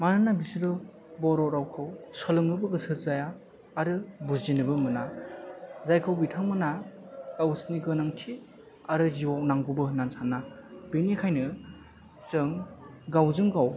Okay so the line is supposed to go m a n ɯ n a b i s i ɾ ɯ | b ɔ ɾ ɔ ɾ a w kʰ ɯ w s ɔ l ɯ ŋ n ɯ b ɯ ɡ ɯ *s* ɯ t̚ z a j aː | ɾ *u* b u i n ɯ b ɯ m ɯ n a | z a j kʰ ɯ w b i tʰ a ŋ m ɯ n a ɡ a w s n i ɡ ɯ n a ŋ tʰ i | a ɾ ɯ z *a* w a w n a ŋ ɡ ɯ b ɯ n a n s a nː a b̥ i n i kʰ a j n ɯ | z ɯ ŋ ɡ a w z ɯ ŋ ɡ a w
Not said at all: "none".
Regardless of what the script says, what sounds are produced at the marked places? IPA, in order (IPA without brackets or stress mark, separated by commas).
s, ɯ, i